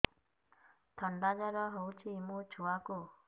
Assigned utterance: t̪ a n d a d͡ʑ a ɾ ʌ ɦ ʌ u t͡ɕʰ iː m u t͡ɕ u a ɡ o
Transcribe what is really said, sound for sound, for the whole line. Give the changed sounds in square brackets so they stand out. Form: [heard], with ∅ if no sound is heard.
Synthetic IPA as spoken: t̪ [ʌ] n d a d͡ʑ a ɾ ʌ ɦ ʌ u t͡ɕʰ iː m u t͡ɕ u a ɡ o

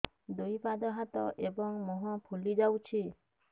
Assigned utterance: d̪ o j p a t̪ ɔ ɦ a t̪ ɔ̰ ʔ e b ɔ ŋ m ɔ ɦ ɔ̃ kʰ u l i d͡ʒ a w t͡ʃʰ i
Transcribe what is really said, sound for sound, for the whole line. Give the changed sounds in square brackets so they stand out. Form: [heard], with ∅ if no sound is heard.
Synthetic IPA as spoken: d̪ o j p a [d̪] ɔ ɦ a t̪ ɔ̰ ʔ e b ɔ ŋ m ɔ ɦ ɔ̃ [pʰ] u l i d͡ʒ a w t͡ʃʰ i

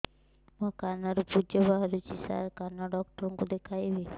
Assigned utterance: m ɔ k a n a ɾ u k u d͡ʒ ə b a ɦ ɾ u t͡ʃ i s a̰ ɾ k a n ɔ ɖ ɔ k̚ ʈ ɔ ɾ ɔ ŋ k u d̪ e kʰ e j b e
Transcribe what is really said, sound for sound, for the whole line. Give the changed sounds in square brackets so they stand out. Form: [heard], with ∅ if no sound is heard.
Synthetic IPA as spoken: m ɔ k a n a ɾ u [p] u d͡ʒ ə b a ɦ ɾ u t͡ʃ i s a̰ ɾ k a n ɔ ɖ ɔ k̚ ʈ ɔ ɾ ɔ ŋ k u d̪ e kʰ [a] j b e

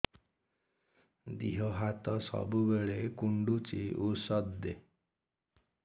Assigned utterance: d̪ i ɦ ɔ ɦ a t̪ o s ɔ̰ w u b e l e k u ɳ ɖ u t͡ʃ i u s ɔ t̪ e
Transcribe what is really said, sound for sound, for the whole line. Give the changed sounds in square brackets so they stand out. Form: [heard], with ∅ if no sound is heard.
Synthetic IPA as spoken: d̪ i ɦ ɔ ɦ a t̪ [ɔ] s ɔ̰ [b] u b e [ɭ] e k u ɳ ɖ u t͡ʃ i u s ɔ [d̪] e

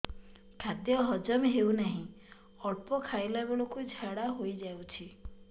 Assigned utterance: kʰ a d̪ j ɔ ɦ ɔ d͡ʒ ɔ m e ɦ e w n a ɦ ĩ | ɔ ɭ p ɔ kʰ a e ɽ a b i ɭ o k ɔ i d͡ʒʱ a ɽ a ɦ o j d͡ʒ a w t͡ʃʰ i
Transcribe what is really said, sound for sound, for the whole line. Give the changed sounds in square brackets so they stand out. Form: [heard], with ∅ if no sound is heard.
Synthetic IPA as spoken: kʰ a d̪ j ɔ ɦ ɔ d͡ʒ ɔ m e ɦ e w n a ɦ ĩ | ɔ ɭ p ɔ kʰ a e [l] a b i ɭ o k [u] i d͡ʒʱ a ɽ a ɦ o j d͡ʒ a w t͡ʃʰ i

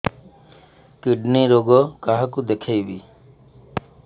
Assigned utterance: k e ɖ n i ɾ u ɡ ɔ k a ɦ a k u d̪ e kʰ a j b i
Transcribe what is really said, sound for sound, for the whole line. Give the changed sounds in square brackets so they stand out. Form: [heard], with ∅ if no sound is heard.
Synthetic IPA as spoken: k [i] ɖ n i ɾ [o] ɡ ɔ k a ɦ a k u d̪ e kʰ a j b i

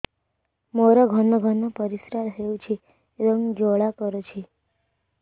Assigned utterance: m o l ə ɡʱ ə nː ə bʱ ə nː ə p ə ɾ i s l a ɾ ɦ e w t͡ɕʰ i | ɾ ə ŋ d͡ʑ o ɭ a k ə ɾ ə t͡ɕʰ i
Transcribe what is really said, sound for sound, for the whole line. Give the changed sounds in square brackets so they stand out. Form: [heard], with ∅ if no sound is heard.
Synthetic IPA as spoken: m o [ɾ] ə ɡʱ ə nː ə [ɡʱ] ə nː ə p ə ɾ i s [ɾ] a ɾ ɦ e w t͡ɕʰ i | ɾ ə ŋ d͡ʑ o ɭ a k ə ɾ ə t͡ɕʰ i

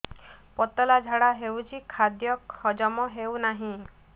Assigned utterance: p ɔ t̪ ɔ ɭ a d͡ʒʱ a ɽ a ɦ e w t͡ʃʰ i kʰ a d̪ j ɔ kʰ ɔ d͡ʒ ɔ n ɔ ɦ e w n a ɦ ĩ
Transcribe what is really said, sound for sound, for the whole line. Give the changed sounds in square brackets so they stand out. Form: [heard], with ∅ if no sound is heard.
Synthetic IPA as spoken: p ɔ t̪ ɔ [l] a d͡ʒʱ a ɽ a ɦ e w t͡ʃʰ i kʰ a d̪ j ɔ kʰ ɔ d͡ʒ ɔ [m] ɔ ɦ e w n a ɦ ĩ

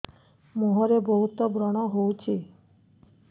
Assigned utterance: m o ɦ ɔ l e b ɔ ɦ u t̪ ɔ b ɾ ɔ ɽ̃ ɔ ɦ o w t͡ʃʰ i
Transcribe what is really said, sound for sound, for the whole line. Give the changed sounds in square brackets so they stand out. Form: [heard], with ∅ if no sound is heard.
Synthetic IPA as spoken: m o ɦ ɔ [ɾ] e b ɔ ɦ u t̪ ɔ b ɾ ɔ ɽ̃ ɔ ɦ o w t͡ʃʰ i

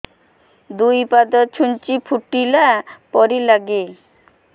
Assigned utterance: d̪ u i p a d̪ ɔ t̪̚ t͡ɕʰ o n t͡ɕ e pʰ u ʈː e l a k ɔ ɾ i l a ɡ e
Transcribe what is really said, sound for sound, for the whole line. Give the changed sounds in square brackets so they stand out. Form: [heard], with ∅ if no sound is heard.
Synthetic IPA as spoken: d̪ u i p a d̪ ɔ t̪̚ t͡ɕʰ [u] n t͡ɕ [i] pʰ u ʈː [i] l a [p] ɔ ɾ i l a ɡ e

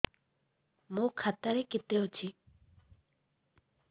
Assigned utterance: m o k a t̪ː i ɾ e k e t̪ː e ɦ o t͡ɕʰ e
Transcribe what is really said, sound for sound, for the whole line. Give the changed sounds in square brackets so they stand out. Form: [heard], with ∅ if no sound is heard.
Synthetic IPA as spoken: m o [kʰ] a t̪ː [a] ɾ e k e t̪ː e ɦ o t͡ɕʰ [i]

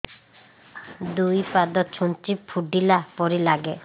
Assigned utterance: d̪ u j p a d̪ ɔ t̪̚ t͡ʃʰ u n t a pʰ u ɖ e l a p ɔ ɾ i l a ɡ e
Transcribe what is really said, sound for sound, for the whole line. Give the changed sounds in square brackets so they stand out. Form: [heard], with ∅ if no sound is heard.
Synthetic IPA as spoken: d̪ u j p a d̪ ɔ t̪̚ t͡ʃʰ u n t [i] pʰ u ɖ [i] l a p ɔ ɾ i l a ɡ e

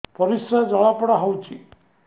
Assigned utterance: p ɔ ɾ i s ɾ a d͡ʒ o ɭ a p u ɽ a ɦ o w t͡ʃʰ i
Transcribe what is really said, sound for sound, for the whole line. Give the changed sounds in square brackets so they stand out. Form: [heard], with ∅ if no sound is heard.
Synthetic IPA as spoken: p ɔ ɾ i s ɾ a d͡ʒ [ɔ] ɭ a p [ɔ] ɽ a ɦ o w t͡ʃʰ i

